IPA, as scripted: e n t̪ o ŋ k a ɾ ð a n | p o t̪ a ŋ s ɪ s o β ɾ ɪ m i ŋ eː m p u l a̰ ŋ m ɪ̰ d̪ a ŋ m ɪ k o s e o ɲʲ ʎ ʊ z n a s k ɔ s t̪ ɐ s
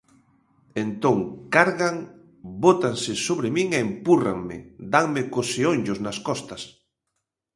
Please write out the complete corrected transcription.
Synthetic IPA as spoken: e n t̪ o ŋ k a ɾ ɣ a ŋ | b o t̪ a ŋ s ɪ s o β ɾ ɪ m i ŋ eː m p u r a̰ ŋ m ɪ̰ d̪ a ŋ m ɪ k o s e o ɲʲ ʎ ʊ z n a s k ɔ s t̪ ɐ s